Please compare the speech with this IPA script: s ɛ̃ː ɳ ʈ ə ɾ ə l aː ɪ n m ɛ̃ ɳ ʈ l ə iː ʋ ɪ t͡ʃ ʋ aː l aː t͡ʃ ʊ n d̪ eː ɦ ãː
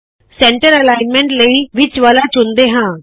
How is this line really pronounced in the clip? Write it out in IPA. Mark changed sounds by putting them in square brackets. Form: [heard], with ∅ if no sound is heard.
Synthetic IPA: s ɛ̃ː ɳ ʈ ə ɾ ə l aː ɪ n m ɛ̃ ɳ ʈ l ə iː ʋ ɪ t͡ʃ ʋ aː l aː t͡ʃ ʊ n d̪ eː ɦ ãː